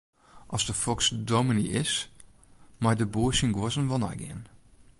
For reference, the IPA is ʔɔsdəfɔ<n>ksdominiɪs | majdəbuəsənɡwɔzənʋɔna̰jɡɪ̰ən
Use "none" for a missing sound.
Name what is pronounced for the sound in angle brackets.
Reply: none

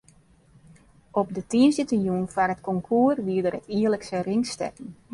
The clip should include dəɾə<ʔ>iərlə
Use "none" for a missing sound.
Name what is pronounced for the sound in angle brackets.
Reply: t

